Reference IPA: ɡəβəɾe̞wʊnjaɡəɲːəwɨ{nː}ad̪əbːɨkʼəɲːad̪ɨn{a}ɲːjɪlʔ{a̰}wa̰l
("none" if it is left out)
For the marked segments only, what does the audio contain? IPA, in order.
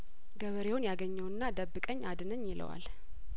nː, ə, ə̰

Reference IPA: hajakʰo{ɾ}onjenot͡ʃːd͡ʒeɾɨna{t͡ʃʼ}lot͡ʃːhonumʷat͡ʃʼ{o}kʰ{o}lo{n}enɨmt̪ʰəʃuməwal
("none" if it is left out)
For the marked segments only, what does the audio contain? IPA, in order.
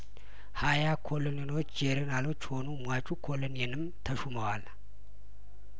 l, none, u, o, n

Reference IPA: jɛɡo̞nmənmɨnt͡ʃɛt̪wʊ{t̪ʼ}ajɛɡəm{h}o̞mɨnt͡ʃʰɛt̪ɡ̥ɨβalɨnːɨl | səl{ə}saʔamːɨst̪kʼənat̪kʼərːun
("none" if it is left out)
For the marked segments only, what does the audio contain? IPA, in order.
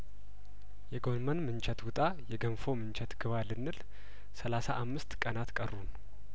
t̪ʼ, f, a

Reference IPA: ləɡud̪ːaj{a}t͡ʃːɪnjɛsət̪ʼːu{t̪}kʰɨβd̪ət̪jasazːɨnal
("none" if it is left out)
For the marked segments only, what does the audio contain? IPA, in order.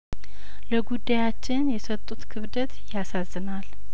a, t̪

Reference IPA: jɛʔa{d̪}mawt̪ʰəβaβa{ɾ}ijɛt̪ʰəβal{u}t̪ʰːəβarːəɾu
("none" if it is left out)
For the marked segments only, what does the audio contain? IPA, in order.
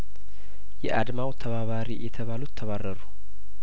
d̪, ɾ, u

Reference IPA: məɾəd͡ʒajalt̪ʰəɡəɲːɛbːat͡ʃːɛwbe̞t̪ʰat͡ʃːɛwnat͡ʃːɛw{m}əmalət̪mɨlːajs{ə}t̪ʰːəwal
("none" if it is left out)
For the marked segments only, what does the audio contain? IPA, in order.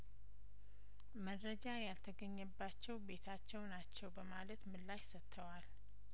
b, ə

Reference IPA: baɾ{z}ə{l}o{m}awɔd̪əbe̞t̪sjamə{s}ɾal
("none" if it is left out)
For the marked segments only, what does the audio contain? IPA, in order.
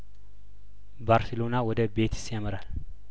s, l, n, none

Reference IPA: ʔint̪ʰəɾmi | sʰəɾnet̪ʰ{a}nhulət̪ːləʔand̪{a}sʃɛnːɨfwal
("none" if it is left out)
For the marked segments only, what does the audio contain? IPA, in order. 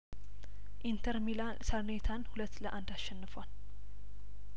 a, a

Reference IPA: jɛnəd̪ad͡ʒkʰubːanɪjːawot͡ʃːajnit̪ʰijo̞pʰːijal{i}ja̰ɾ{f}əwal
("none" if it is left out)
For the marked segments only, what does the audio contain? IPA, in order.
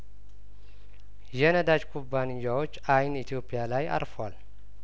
a, f

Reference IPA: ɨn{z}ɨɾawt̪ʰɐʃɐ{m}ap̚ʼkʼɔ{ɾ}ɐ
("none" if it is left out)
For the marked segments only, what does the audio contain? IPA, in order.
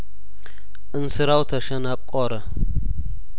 s, n, ɾ

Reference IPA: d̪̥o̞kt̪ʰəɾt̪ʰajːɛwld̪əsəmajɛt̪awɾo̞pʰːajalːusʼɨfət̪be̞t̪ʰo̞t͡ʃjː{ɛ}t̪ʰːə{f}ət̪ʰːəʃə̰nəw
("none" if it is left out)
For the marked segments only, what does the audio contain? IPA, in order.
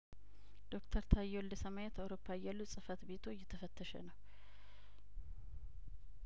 ɛ, f

